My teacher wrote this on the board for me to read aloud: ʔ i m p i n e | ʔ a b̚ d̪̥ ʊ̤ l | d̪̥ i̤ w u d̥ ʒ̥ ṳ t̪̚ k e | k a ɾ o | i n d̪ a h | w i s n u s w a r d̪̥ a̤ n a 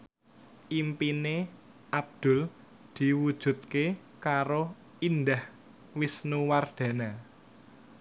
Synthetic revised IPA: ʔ i m p i n e | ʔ a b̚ d̪̥ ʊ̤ l | d̪̥ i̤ w u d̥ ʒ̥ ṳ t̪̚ k e | k a ɾ o | i n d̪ a h | w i s n u w a r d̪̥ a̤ n a